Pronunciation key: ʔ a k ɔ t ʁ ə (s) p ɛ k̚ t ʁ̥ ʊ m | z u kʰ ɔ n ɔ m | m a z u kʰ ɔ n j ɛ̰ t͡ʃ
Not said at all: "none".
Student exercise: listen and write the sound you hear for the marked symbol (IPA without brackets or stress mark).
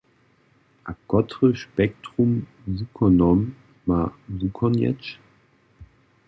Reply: ʃ